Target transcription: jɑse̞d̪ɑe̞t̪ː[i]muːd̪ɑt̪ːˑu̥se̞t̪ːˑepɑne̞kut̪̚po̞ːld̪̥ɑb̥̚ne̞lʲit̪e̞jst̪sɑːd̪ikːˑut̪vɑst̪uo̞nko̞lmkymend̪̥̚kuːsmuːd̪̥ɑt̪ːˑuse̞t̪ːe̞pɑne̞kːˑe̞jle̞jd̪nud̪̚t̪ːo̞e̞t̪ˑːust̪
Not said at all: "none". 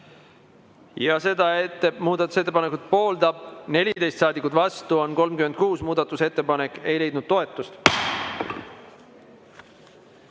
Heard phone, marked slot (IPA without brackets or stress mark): e